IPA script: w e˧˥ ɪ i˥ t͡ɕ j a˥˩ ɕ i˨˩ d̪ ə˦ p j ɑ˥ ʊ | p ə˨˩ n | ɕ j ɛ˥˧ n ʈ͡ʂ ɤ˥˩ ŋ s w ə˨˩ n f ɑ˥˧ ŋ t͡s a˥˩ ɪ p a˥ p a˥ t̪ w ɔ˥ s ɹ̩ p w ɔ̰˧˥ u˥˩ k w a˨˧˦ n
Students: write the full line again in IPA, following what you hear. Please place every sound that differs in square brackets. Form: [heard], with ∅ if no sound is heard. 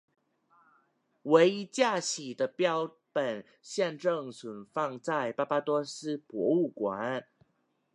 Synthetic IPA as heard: w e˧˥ ɪ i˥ t͡ɕ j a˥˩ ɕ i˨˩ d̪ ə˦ p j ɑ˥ ʊ | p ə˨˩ n | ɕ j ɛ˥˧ n ʈ͡ʂ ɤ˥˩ ŋ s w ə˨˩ n f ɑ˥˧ ŋ t͡s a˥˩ ɪ p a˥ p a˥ t̪ w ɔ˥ s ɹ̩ p w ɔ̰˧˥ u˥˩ k w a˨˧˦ n

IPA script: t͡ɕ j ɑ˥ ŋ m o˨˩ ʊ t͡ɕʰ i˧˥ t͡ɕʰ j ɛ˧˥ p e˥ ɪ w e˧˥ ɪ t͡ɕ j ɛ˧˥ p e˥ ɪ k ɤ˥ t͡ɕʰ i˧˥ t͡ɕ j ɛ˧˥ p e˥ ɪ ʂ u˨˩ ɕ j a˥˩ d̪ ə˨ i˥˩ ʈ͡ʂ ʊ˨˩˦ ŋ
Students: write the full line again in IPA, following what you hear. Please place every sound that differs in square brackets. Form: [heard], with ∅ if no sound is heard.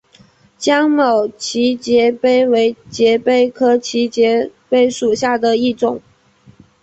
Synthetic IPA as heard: t͡ɕ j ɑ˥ ŋ m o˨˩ ʊ t͡ɕʰ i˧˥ [t͡ɕ] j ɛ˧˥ p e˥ ɪ w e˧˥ ɪ t͡ɕ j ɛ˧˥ p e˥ ɪ [kʰ] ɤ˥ t͡ɕʰ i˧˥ t͡ɕ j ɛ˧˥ p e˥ ɪ ʂ u˨˩ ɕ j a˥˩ d̪ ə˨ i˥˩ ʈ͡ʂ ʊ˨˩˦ ŋ

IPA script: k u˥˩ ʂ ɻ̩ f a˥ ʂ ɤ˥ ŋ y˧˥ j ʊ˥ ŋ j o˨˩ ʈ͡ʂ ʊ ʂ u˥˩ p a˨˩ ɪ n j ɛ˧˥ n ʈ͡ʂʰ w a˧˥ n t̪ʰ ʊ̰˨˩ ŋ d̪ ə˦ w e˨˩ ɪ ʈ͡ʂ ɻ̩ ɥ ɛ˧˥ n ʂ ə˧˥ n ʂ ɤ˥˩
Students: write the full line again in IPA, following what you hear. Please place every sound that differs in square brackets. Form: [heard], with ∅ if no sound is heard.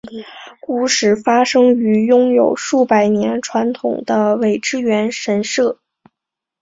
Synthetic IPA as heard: k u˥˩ ʂ ɻ̩ f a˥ ʂ ɤ˥ ŋ y˧˥ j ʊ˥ ŋ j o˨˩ [∅] ʊ ʂ u˥˩ p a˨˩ ɪ n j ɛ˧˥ n ʈ͡ʂʰ w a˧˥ n t̪ʰ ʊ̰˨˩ ŋ d̪ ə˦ w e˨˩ ɪ ʈ͡ʂ ɻ̩ ɥ ɛ˧˥ n ʂ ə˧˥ n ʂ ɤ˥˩

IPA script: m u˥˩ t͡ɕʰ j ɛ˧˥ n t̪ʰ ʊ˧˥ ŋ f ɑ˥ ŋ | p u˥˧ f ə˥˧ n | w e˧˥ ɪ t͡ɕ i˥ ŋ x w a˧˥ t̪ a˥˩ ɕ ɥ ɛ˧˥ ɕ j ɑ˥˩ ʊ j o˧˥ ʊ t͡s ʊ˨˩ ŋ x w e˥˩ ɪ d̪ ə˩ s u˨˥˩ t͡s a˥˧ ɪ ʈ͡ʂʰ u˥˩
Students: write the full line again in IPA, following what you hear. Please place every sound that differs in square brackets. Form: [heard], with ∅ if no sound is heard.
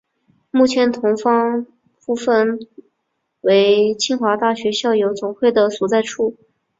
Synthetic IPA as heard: m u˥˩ t͡ɕʰ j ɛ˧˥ n t̪ʰ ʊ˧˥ ŋ f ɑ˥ ŋ | p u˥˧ f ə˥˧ n | w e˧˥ ɪ [t͡ɕʰ] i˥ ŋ x w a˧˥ t̪ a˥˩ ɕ ɥ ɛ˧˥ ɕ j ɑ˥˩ ʊ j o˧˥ ʊ t͡s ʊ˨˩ ŋ x w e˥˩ ɪ d̪ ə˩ s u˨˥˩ t͡s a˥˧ ɪ ʈ͡ʂʰ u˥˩

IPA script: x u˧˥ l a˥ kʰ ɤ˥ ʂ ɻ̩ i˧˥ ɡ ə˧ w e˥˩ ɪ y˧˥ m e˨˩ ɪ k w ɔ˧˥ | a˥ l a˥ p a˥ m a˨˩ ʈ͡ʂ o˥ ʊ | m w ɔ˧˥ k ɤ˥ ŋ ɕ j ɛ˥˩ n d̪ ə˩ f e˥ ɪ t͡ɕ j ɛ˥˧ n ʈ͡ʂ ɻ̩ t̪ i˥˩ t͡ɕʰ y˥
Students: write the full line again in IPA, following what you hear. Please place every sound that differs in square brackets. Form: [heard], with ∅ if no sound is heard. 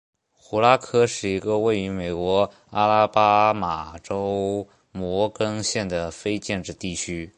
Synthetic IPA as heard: x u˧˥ l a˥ kʰ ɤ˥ ʂ ɻ̩ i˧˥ ɡ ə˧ w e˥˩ ɪ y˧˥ m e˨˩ ɪ k w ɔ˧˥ | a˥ l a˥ p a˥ m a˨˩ ʈ͡ʂ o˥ ʊ | m w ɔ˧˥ k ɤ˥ ŋ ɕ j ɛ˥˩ n d̪ ə˩ f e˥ ɪ t͡ɕ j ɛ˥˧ n ʈ͡ʂ ɻ̩ t̪ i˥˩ t͡ɕʰ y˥

